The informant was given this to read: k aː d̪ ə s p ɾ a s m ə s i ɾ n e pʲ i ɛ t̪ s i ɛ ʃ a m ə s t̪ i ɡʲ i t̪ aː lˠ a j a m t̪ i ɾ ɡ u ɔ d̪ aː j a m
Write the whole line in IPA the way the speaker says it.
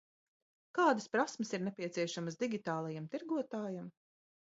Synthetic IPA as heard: k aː d̪ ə s p ɾ a s m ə s i ɾ n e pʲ i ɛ t̪ s i ɛ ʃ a m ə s d̪ i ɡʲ i t̪ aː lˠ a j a m t̪ i ɾ ɡ u ɔ t̪ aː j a m